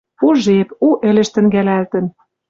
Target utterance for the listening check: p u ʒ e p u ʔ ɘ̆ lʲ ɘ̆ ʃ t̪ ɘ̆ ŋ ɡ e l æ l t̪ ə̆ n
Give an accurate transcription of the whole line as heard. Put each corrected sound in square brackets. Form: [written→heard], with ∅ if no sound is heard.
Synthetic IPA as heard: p u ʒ e p u ʔ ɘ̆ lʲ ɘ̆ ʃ t̪ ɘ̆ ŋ ɡ [e→æ] l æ l t̪ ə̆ n

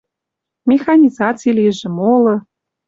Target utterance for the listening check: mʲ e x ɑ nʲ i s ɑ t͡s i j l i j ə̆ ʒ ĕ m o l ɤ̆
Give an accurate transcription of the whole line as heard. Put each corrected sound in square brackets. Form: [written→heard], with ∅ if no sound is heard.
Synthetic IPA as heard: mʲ e x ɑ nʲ i [s→z] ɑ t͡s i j l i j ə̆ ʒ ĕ m o l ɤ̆

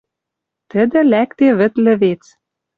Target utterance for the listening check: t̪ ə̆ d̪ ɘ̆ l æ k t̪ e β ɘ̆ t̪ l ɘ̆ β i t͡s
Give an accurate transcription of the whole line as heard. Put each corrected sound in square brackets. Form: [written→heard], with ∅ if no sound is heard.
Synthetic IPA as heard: t̪ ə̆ d̪ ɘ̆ l æ k t̪ e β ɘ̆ t̪ l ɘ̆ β [i→e] t͡s

